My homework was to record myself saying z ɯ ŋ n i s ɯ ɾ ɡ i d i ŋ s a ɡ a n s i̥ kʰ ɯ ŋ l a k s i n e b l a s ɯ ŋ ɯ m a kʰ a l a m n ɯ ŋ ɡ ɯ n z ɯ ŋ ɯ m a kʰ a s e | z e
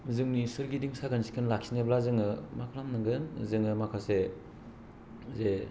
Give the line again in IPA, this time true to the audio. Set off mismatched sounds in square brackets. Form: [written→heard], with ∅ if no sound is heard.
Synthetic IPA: z ɯ ŋ n i s ɯ ɾ ɡ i d i ŋ s a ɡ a n s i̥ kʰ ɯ [ŋ→n] l a k s i n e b l a [s→z] ɯ ŋ ɯ m a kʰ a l a m n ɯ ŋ ɡ ɯ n z ɯ ŋ ɯ m a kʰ a s e | z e